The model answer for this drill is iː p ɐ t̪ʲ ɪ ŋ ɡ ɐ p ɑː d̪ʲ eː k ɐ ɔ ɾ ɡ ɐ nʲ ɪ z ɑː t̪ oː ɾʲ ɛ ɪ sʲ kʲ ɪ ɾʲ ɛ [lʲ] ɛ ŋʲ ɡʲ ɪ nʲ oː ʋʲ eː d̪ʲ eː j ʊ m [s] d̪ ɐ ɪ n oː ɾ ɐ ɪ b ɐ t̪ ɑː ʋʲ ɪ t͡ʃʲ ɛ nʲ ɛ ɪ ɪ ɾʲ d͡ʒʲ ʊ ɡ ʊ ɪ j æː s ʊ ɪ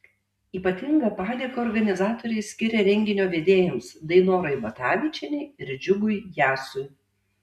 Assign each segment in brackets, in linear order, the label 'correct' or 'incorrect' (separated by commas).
incorrect, correct